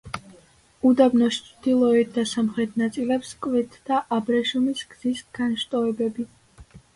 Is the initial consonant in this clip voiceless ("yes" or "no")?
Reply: no